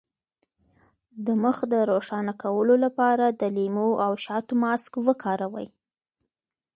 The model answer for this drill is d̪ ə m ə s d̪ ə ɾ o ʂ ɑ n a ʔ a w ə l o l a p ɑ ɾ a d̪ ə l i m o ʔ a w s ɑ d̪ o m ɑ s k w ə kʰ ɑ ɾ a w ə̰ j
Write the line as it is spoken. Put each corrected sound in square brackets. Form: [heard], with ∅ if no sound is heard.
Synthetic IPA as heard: d̪ ə m ə [x] d̪ ə ɾ o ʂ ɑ n a [k] a w ə l o l a p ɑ ɾ a d̪ ə l i m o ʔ a w [ʃ] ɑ [t̪] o m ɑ s k w ə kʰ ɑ ɾ a w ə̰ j